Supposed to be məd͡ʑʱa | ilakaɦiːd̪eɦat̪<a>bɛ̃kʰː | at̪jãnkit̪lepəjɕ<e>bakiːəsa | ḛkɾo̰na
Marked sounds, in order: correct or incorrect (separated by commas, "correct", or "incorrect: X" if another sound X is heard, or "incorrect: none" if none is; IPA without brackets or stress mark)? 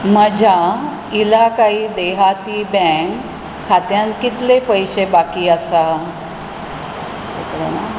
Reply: incorrect: i, correct